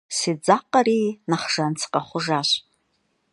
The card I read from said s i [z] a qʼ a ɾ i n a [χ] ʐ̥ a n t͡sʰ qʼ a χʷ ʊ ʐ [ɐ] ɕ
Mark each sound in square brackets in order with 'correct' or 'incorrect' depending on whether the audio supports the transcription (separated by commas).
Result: incorrect, correct, incorrect